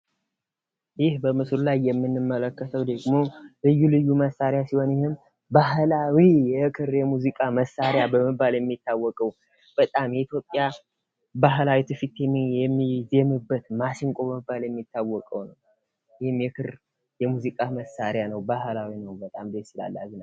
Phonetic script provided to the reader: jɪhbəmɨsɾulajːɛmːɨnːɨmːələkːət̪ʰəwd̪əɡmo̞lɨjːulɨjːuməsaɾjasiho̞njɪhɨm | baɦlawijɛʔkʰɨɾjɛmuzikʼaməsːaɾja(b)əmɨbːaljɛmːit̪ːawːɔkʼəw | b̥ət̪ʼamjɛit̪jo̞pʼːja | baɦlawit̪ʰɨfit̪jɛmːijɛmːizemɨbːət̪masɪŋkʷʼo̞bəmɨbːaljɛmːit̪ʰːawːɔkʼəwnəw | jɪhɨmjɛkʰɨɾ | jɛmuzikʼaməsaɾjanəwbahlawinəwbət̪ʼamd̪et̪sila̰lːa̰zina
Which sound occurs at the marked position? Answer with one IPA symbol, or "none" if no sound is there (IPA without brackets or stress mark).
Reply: b